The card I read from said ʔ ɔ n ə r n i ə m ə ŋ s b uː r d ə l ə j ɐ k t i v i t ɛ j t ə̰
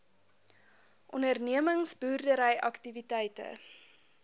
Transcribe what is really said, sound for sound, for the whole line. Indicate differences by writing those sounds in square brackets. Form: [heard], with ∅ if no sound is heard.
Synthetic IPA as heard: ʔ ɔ n ə r n i ə m ə ŋ s b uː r d ə [ɾ] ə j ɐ k t i v i t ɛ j t ə̰